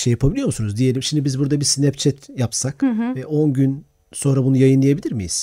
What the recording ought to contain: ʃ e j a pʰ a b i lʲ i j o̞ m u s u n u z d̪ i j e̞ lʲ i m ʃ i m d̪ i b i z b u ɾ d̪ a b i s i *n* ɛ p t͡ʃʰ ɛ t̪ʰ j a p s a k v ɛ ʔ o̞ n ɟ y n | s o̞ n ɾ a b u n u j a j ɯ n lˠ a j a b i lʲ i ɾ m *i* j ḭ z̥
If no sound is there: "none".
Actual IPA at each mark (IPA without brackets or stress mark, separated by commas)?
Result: n, i